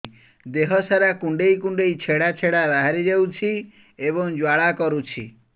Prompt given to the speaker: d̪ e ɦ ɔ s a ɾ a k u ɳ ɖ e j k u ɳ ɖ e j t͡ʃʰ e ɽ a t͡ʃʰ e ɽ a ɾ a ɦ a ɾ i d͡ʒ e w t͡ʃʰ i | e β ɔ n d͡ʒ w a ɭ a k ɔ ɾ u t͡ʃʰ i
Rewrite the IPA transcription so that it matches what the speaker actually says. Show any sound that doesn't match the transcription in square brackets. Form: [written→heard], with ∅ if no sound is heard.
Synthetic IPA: d̪ e ɦ ɔ s a ɾ a k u ɳ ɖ e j k u ɳ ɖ e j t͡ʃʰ e ɽ a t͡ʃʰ e ɽ a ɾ a ɦ a ɾ i d͡ʒ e w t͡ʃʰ i | e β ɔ [n→ŋ] d͡ʒ w a ɭ a k ɔ ɾ u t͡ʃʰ i

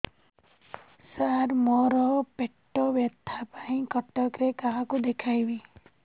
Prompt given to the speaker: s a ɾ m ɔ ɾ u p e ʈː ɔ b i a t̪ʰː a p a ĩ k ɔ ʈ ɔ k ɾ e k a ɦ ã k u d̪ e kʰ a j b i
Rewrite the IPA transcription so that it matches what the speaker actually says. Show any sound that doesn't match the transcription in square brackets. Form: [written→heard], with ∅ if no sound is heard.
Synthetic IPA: s a ɾ m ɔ ɾ [u→ɔ] p e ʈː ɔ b [i→j] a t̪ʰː a p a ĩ k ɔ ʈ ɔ k ɾ e k a ɦ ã k u d̪ e kʰ a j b i

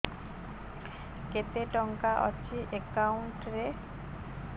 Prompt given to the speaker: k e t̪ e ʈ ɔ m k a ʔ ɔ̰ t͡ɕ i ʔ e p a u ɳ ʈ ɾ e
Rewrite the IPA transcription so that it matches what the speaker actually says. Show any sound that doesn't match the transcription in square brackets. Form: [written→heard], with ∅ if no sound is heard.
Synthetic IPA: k e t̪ e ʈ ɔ [m→ŋ] k a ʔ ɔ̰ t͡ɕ i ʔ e [p→k] a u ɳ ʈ ɾ e

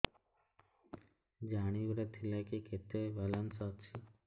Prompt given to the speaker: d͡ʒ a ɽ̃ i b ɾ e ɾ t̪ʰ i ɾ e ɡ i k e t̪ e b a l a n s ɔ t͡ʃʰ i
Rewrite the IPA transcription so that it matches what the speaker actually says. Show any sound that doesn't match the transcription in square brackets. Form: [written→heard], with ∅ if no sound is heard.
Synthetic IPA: d͡ʒ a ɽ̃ i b ɾ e [ɾ→∅] t̪ʰ i [ɾ→l] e [ɡ→k] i k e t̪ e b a l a n s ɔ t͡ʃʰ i

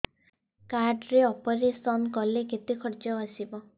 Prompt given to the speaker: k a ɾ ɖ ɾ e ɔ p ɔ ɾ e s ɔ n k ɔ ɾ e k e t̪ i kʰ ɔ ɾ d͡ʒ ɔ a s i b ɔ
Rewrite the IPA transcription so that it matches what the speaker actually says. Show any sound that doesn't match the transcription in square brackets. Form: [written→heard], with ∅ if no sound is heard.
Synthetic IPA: k a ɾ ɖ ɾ e ɔ p ɔ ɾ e s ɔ n k ɔ [ɾ→l] e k e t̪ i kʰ ɔ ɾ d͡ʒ ɔ a s i b ɔ

